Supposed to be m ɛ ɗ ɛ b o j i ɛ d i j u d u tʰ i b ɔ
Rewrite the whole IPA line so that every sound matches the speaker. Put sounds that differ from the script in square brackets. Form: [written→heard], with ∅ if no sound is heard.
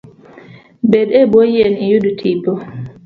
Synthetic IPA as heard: [m→b] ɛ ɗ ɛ b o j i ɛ [d→n] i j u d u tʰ i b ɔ